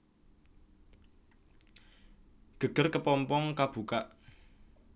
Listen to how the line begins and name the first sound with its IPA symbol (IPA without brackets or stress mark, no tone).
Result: ɡ̥